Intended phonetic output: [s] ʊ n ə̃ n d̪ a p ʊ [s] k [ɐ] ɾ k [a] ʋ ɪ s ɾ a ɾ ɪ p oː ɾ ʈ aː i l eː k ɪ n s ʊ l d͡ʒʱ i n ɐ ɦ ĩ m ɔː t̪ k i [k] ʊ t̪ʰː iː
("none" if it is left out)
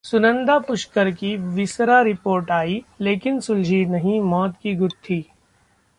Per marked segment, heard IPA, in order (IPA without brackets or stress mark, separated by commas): s, ʃ, ə, i, ɡ